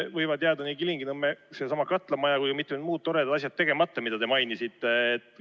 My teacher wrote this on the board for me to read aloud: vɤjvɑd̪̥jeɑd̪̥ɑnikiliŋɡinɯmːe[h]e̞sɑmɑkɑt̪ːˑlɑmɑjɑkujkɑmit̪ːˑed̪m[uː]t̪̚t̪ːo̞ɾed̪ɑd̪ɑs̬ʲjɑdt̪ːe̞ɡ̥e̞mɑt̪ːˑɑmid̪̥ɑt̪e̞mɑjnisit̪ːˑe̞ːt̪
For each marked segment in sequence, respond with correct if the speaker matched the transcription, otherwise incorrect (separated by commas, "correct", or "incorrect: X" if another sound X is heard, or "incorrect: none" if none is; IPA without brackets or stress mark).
incorrect: s, correct